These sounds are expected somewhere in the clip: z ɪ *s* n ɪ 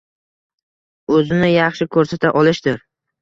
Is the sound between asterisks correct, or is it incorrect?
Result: incorrect